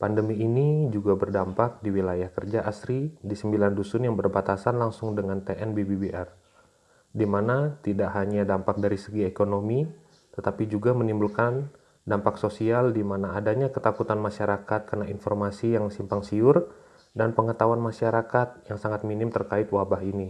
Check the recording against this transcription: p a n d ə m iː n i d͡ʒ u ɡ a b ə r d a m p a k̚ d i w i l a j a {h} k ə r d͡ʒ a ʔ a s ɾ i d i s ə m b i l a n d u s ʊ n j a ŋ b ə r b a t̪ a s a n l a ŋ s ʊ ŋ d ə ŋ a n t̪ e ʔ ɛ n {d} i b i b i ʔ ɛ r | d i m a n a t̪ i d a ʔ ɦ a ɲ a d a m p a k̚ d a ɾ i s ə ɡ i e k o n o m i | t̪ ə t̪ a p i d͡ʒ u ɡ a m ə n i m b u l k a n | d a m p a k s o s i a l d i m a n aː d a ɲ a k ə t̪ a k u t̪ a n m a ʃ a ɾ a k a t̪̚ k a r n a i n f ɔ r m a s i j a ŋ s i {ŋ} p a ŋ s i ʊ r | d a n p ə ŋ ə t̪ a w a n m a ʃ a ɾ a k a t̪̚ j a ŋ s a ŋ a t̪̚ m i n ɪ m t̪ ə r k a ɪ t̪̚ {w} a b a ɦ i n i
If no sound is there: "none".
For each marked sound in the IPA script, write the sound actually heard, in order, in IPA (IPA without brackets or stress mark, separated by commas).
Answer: h, b, m, w